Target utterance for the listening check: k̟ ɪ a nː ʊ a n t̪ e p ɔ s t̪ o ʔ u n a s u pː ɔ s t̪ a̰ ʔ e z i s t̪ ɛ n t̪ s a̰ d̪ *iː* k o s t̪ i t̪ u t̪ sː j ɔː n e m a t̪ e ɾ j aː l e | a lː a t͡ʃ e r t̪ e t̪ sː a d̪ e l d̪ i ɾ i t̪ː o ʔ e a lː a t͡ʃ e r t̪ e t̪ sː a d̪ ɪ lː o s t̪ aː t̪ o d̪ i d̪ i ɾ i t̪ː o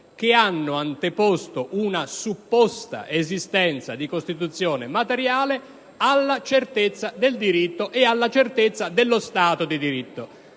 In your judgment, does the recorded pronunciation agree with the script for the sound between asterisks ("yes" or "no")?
no